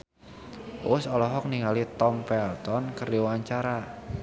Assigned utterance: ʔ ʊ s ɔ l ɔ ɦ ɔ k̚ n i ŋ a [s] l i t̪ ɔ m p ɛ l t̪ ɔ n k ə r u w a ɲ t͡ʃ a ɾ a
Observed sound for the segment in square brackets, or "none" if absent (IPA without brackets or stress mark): none